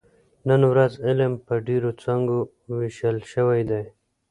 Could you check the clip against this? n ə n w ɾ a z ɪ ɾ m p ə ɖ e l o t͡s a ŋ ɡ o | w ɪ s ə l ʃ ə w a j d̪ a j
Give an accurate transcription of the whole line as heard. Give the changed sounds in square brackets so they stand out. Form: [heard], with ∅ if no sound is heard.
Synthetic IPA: n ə n w ɾ a z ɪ [l] m p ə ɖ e [ɾ] o t͡s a ŋ ɡ o | w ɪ [ʃ] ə l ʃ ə w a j d̪ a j